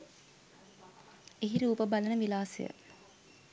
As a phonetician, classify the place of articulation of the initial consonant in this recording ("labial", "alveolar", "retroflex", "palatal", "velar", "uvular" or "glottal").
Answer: glottal